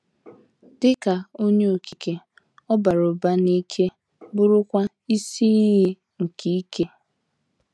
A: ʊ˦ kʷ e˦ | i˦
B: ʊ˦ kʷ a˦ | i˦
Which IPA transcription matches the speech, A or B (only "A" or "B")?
B